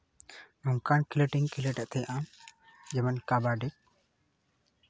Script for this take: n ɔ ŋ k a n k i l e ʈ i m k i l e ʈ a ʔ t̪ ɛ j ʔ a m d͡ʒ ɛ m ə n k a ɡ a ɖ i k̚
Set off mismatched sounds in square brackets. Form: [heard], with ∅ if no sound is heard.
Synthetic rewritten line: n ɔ ŋ k a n k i l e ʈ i [ŋ] k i l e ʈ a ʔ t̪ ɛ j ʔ a m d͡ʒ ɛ m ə n k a [b] a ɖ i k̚